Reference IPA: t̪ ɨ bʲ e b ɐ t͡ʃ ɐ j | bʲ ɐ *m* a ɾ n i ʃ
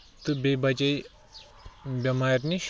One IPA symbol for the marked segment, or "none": m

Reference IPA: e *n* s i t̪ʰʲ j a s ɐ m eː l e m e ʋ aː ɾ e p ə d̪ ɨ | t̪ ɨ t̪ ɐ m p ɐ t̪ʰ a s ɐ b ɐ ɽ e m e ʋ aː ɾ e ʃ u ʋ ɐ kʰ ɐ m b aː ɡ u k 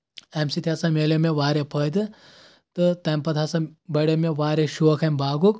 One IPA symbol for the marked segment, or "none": m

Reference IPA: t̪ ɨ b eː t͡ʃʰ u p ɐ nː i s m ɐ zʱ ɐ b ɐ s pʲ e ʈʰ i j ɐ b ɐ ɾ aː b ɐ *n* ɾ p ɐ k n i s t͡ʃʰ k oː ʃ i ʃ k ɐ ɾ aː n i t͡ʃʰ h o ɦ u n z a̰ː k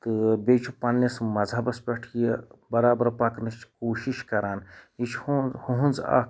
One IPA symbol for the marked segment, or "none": none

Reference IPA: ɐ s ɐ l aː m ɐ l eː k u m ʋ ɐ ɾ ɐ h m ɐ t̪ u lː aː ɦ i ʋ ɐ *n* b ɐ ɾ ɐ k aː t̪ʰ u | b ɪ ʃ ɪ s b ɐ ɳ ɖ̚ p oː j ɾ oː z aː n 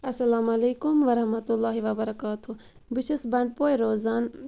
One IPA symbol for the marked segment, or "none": none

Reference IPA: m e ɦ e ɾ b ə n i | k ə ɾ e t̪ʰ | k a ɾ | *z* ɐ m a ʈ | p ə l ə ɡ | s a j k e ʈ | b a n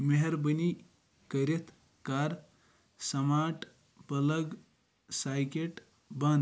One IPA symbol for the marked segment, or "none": s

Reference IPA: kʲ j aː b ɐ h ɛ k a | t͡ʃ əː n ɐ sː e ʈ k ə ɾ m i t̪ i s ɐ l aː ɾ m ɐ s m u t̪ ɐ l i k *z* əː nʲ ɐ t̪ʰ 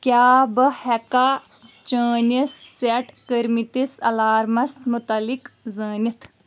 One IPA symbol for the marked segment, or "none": z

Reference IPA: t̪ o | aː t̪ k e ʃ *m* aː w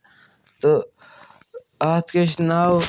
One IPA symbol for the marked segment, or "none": n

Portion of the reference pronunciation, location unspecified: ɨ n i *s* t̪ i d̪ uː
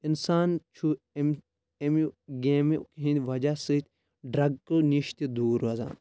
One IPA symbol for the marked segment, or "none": ʃ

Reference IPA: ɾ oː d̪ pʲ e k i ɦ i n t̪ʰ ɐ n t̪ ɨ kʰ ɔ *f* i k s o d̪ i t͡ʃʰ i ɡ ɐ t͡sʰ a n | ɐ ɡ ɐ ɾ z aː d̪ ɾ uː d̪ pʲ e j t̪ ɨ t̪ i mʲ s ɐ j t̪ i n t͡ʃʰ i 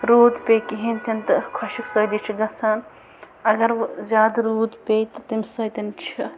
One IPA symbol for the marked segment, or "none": ʃ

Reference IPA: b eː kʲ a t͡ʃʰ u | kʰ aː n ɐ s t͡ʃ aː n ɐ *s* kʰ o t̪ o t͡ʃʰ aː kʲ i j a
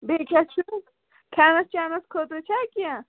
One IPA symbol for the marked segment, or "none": s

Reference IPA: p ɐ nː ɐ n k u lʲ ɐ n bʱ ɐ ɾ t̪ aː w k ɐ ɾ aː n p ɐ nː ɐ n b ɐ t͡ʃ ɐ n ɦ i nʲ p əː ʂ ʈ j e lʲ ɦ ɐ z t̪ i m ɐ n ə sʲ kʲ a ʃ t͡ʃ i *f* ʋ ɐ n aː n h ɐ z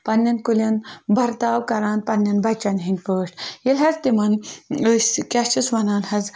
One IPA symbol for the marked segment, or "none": s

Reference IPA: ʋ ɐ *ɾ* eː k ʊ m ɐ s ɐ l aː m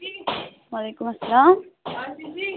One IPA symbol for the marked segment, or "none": l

